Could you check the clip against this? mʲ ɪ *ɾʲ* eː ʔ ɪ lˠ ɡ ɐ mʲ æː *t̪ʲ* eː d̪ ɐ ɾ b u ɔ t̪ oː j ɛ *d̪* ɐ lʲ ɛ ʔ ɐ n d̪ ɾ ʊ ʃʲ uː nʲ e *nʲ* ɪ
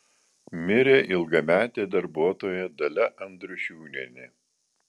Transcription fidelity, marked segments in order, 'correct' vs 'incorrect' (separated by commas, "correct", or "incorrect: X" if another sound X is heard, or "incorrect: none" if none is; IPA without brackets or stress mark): correct, correct, correct, correct